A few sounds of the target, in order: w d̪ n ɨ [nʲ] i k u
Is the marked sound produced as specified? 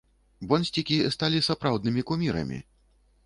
no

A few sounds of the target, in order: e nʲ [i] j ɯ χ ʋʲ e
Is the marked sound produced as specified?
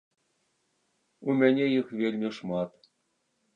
no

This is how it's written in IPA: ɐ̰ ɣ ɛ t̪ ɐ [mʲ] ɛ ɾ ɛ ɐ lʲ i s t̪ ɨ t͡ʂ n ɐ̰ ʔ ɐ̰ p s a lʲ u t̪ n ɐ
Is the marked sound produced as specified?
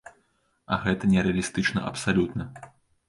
no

